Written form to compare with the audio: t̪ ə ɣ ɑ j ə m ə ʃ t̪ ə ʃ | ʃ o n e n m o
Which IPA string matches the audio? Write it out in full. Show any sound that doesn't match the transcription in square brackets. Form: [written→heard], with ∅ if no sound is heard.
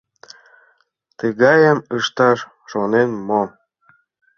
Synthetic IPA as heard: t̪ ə ɣ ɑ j ə m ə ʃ t̪ [ə→ɑ] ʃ | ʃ o n e n m o